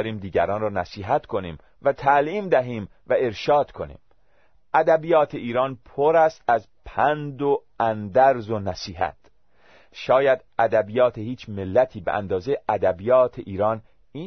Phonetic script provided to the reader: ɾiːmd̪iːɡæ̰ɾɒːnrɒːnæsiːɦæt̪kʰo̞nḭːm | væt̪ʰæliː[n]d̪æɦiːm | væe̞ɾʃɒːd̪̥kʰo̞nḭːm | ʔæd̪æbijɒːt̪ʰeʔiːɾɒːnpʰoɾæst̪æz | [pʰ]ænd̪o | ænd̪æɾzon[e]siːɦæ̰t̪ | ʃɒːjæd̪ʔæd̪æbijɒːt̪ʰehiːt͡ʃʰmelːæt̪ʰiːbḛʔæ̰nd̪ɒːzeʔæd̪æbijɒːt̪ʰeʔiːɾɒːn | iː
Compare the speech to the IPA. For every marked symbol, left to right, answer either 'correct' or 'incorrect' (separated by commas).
incorrect, correct, incorrect